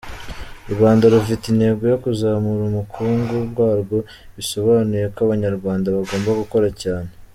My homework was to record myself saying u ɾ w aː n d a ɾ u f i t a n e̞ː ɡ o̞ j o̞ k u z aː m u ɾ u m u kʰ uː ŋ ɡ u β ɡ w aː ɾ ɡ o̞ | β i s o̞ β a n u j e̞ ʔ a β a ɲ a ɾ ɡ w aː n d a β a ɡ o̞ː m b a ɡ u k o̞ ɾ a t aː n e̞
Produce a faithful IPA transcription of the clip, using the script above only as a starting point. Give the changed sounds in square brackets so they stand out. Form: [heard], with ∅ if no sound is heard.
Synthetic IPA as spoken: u ɾ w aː n d a ɾ u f i t [i] n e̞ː ɡ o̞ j o̞ k u z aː m u ɾ u m u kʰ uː ŋ ɡ u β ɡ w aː ɾ ɡ o̞ | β i s o̞ β a n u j e̞ [k] a β a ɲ a ɾ ɡ w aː n d a β a ɡ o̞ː m b a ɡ u k o̞ ɾ a [c] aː n e̞